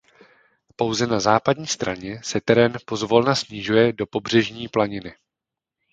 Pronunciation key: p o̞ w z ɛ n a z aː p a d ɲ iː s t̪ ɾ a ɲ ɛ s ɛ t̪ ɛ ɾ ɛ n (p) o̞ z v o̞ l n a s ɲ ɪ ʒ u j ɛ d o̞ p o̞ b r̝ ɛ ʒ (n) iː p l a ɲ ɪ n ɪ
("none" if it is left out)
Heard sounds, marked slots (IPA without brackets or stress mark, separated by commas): p, ɲ